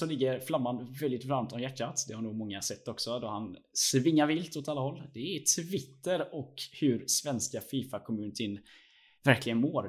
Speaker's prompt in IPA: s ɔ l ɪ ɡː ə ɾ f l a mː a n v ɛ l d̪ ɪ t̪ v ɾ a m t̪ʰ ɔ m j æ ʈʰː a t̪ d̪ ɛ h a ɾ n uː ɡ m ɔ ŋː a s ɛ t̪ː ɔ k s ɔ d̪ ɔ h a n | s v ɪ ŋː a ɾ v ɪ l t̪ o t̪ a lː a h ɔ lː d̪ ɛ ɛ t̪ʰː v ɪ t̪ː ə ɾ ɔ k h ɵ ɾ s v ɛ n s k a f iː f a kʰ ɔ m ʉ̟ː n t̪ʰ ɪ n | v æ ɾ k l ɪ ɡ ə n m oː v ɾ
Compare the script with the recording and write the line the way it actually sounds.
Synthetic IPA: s ɔ l ɪ ɡː ə ɾ f l a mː a n v ɛ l d̪ ɪ t̪ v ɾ a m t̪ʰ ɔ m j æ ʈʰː a t̪ d̪ ɛ h a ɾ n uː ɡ m ɔ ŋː a s ɛ t̪ː ɔ k s ɔ d̪ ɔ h a n | s v ɪ ŋː a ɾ v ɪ l t̪ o t̪ a lː a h ɔ lː d̪ ɛ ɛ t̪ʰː v ɪ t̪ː ə ɾ ɔ k h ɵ ɾ s v ɛ n s k a f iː f a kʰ ɔ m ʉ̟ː n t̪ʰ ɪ n | v æ ɾ k l ɪ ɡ ə n m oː ɾ